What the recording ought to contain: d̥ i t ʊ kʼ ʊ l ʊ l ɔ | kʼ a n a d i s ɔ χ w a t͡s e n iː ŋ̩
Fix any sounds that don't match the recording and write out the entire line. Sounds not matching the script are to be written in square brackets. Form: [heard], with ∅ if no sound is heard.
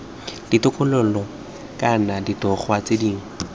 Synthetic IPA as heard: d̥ i t ʊ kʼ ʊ l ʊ l ɔ | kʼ a n a d i [t] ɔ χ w a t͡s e [d] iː ŋ̩